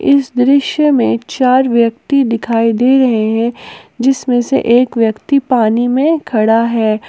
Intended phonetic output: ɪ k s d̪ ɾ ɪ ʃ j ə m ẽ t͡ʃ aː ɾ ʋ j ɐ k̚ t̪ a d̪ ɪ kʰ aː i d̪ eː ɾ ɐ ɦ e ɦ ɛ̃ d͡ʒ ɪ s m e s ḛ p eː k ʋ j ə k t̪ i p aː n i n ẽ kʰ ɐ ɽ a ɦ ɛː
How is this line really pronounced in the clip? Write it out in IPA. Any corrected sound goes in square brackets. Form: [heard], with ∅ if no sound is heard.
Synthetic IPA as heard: ɪ [∅] s d̪ ɾ ɪ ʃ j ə m ẽ t͡ʃ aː ɾ ʋ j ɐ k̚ t̪ [i] d̪ ɪ kʰ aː i d̪ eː ɾ ɐ ɦ e ɦ ɛ̃ d͡ʒ ɪ s m [ẽ] s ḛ [ʔ] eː k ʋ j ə k t̪ i p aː n i [m] ẽ kʰ ɐ ɽ a ɦ ɛː

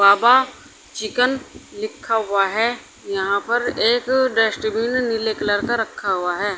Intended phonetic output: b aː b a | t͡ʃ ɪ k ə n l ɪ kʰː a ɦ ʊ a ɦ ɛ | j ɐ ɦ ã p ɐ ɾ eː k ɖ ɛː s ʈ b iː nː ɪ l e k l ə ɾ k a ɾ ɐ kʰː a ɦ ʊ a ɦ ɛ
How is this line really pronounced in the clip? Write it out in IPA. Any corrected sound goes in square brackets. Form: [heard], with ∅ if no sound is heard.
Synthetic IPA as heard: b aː b a | t͡ʃ ɪ k ə n l ɪ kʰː a ɦ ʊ a ɦ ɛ | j ɐ ɦ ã p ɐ ɾ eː k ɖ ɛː s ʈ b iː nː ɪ l e k l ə ɾ k a ɾ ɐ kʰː a ɦ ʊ a ɦ [ɛː]

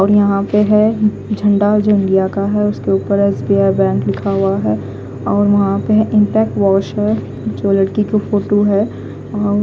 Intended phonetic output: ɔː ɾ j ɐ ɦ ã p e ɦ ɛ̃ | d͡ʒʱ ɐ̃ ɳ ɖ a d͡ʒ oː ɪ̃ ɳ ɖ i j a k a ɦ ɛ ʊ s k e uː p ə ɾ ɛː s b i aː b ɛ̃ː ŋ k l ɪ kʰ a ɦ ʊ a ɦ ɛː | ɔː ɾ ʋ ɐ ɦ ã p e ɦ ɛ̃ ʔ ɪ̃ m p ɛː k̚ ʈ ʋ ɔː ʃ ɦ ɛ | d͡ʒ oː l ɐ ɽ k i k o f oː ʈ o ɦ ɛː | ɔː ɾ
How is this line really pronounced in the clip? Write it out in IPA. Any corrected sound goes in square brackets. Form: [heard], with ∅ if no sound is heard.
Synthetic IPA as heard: ɔː ɾ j ɐ ɦ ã p e ɦ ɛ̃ | d͡ʒʱ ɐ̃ ɳ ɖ a d͡ʒ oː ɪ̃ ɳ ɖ i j a k a ɦ ɛ ʊ s k e uː p ə ɾ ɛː s b i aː b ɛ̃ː ŋ k l ɪ kʰ a ɦ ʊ a ɦ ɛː | ɔː ɾ ʋ ɐ ɦ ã p e ɦ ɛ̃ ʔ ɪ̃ m p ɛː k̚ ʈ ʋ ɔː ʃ ɦ ɛ | d͡ʒ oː l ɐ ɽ k i k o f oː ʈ o ɦ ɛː | ɔː ɾ

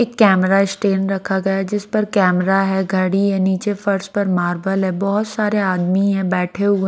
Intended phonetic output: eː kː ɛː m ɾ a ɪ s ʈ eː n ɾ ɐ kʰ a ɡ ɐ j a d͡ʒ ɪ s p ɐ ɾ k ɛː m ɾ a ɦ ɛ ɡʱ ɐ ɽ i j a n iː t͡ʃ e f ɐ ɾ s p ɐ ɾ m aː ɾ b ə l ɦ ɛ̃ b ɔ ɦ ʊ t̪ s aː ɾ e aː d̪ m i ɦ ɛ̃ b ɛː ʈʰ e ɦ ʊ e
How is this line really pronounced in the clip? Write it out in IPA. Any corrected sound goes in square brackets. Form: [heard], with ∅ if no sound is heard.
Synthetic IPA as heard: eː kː ɛː m ɾ a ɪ s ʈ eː n ɾ ɐ kʰ a ɡ ɐ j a d͡ʒ ɪ s p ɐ ɾ k ɛː m ɾ a ɦ ɛ ɡʱ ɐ ɽ i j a n iː t͡ʃ e f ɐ ɾ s p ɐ ɾ m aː ɾ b ə l ɦ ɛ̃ b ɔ ɦ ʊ t̪ s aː ɾ e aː d̪ m i ɦ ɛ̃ b ɛː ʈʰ e ɦ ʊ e

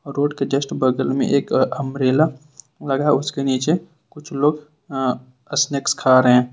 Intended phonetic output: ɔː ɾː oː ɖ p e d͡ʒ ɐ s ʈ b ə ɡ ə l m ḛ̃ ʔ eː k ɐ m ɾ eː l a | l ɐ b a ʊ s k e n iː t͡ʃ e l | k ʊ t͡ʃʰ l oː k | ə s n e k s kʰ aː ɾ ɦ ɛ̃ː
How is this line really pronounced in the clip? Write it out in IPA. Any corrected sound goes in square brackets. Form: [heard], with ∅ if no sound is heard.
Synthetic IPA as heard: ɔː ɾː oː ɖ [k] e d͡ʒ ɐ s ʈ b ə ɡ ə l m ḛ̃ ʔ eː k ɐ m ɾ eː l a | l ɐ [ɡ] a ʊ s k e n iː t͡ʃ e [∅] | k ʊ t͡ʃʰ l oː [ɡ] | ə s n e k s kʰ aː ɾ ɦ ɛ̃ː

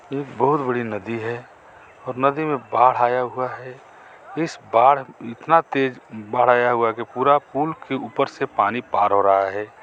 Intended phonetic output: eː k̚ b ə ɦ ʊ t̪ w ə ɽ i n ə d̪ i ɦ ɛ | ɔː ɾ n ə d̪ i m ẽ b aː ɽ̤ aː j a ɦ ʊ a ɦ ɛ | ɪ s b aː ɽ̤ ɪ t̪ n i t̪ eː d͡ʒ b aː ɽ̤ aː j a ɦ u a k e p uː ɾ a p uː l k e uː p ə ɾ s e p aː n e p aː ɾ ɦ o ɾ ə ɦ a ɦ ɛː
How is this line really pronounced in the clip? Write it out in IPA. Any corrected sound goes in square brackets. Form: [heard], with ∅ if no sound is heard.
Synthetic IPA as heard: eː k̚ b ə ɦ ʊ t̪ [b] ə ɽ i n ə d̪ i ɦ ɛ | ɔː ɾ n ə d̪ i m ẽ b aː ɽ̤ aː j a ɦ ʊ a ɦ ɛ | ɪ s b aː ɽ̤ ɪ t̪ n [a] t̪ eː d͡ʒ b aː ɽ̤ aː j a ɦ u a k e p uː ɾ a p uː l k e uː p ə ɾ s e p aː n [i] p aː ɾ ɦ o ɾ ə ɦ a ɦ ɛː

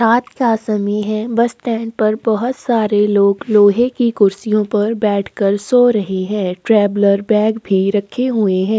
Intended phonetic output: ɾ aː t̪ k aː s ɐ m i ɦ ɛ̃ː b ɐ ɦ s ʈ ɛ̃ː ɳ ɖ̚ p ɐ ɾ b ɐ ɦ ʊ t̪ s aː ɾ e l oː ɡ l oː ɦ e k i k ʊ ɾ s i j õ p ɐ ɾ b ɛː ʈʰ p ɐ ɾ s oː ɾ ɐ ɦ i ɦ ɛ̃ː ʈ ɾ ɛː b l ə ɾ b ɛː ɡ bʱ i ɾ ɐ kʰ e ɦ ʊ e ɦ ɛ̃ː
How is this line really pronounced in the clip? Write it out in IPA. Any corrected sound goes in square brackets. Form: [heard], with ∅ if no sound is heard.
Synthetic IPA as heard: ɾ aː t̪ k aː s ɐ m i ɦ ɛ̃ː b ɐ [∅] s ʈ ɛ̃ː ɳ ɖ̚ p ɐ ɾ b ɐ ɦ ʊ t̪ s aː ɾ e l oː ɡ l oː ɦ e k i k ʊ ɾ s i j õ p ɐ ɾ b ɛː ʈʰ [k] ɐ ɾ s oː ɾ ɐ ɦ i ɦ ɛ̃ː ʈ ɾ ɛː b l ə ɾ b ɛː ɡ bʱ i ɾ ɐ kʰ e ɦ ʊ e ɦ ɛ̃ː

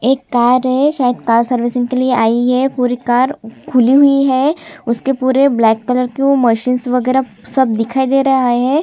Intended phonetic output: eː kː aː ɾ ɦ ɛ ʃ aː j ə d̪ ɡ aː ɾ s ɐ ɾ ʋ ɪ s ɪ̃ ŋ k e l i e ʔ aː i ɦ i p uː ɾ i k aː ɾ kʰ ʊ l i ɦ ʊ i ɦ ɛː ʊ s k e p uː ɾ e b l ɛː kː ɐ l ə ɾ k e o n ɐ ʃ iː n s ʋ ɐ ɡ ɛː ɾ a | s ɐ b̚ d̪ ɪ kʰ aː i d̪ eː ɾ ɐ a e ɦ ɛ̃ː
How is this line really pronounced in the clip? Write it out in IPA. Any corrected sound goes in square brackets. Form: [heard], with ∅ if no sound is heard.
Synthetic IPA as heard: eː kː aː ɾ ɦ ɛ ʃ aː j ə d̪ [k] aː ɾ s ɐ ɾ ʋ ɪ s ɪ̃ ŋ k e l i e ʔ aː i ɦ [ɛ] p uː ɾ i k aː ɾ kʰ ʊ l i ɦ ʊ i ɦ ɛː ʊ s k e p uː ɾ e b l ɛː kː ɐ l ə ɾ k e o [m] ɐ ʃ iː n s ʋ ɐ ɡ ɛː ɾ a | s ɐ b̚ d̪ ɪ kʰ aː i d̪ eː ɾ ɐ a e ɦ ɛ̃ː

